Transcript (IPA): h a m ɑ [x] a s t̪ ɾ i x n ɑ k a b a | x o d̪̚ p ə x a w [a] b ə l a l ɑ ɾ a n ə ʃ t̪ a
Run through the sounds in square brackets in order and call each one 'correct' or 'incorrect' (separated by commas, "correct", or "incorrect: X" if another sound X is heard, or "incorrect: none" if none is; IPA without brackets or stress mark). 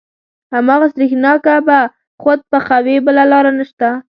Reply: incorrect: ɣ, incorrect: e